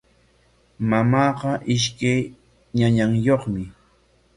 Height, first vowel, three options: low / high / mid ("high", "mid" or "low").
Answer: low